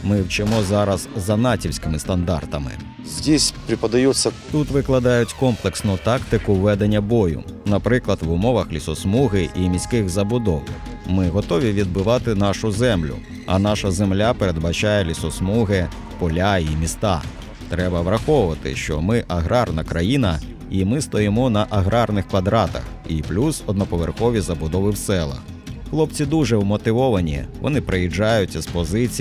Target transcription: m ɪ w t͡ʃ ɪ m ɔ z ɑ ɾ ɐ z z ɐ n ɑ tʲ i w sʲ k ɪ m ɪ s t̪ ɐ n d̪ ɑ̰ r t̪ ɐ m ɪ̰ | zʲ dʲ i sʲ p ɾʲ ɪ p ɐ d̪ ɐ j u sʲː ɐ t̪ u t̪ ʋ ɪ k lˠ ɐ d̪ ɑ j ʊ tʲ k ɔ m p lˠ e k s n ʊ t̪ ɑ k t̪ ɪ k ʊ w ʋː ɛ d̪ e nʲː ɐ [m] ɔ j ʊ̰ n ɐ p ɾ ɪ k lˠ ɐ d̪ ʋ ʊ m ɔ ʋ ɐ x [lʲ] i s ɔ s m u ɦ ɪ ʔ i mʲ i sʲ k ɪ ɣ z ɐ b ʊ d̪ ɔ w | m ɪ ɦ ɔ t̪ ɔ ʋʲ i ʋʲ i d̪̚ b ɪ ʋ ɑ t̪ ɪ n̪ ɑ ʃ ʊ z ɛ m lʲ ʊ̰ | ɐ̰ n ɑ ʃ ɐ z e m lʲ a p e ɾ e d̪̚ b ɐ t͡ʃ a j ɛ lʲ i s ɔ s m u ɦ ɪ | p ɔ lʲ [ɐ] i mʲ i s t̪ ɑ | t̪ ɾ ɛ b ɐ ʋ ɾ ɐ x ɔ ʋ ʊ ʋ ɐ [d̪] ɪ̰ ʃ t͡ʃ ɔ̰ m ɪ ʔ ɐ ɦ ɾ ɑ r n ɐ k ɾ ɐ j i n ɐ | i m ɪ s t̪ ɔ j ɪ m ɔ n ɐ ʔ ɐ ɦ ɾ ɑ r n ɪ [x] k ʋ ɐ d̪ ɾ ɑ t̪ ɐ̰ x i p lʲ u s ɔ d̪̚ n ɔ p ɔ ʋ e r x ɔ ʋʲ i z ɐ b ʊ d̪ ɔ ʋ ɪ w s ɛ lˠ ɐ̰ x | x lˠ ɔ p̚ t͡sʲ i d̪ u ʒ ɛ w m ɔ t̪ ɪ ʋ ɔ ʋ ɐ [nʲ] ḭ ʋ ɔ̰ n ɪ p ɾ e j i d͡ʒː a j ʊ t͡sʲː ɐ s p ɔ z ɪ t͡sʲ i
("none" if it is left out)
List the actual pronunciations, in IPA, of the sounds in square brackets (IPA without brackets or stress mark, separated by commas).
b, lʲ, a, t̪, x, nʲ